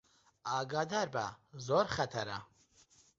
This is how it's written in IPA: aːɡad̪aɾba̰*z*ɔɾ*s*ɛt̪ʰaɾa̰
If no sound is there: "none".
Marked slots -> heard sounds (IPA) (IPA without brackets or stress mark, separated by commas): z, χ